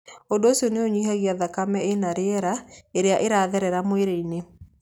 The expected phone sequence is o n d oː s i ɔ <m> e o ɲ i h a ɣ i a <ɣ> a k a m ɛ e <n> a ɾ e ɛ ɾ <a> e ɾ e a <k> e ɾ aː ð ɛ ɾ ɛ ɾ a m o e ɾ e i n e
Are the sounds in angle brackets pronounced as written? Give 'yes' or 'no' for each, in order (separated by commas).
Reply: no, no, yes, yes, no